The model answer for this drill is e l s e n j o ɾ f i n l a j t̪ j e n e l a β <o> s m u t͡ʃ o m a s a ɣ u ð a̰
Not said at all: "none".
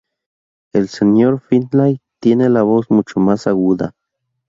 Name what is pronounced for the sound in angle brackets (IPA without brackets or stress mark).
o